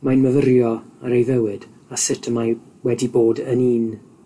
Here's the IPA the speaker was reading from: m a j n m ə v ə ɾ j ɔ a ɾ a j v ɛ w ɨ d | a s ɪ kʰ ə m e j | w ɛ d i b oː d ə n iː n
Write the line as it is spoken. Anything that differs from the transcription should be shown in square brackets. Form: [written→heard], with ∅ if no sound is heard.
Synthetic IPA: m a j n m ə v ə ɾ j ɔ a ɾ [a→e] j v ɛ w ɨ d | a s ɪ [kʰ→tʰ] ə m [e→a] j | w ɛ d i b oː d ə n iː n